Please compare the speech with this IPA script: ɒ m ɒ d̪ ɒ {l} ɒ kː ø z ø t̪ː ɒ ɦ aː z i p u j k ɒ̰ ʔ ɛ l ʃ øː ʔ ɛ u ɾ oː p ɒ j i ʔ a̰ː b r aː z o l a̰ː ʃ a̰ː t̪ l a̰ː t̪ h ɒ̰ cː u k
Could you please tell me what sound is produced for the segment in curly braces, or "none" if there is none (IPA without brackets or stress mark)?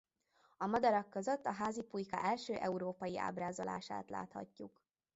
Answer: ɾ